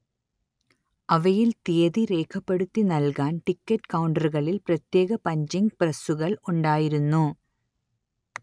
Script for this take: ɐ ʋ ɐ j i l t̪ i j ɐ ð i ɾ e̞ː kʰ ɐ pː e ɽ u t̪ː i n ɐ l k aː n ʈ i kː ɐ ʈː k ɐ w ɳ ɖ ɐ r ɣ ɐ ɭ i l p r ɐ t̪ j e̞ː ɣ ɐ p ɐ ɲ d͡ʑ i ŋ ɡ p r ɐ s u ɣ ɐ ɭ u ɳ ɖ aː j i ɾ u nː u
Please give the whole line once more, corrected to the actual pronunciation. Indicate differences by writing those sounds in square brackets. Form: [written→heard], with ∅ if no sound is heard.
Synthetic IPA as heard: ɐ ʋ ɐ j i l t̪ i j ɐ ð i ɾ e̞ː kʰ ɐ pː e ɽ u t̪ː i n ɐ l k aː n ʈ i kː ɐ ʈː k ɐ w ɳ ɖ ɐ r ɣ ɐ ɭ i l p r ɐ t̪ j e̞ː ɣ ɐ p ɐ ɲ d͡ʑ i ŋ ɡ p r ɐ s u ɣ ɐ ɭ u ɳ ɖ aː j i ɾ u nː u